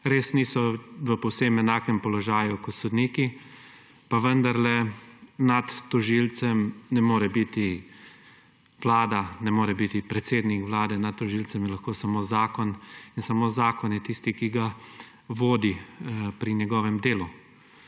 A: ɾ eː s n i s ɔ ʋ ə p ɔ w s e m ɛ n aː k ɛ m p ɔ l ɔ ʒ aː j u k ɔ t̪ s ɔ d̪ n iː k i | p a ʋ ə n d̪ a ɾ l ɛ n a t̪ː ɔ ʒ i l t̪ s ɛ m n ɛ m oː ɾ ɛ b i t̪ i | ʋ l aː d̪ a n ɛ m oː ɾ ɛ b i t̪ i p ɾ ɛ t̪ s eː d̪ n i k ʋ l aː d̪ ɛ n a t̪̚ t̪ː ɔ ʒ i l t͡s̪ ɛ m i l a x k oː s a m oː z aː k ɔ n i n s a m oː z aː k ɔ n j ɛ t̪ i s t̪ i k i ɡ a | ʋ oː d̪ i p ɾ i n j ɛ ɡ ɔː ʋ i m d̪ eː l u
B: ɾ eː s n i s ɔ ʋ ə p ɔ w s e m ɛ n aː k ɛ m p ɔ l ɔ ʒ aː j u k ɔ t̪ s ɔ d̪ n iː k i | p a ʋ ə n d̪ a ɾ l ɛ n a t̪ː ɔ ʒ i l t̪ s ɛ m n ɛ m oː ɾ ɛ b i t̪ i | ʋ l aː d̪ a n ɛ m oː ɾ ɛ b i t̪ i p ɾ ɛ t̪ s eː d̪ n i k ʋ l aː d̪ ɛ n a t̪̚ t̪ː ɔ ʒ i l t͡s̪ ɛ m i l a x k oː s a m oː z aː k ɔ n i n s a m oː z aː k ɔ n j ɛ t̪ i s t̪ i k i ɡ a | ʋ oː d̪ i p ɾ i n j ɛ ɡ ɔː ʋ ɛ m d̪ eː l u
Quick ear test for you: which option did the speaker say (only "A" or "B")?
B